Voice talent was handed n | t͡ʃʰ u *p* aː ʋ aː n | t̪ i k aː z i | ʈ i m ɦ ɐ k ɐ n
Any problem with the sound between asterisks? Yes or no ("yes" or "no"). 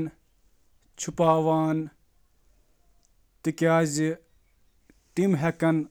no